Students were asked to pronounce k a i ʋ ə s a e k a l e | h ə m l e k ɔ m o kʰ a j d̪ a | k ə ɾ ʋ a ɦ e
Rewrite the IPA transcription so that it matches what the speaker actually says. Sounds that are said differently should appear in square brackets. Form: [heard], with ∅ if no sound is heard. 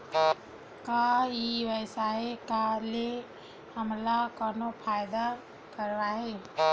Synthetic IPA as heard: k a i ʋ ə s a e k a l e | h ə m l [a] k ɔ [n] o [pʰ] a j d̪ a | k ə ɾ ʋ a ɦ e